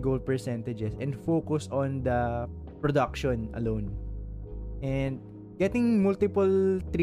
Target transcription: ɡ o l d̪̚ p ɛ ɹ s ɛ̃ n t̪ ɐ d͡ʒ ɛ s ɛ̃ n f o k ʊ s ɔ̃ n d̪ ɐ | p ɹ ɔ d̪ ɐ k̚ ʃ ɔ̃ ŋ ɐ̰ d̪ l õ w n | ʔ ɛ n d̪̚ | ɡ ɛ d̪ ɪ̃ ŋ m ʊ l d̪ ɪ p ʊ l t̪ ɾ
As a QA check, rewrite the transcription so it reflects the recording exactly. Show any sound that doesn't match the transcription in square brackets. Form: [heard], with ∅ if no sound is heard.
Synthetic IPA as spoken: ɡ o l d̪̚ p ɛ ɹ s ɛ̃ n t̪ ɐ d͡ʒ ɛ s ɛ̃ n f o k ʊ s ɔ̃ n d̪ ɐ | p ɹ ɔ d̪ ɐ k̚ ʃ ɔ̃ [n] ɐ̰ [∅] l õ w n | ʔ ɛ n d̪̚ | ɡ ɛ [t̪] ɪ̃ ŋ m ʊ l [t̪] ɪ p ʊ l t̪ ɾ